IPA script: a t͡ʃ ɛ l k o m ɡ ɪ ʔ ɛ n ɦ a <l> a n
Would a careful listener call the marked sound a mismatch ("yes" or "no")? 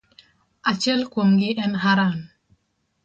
yes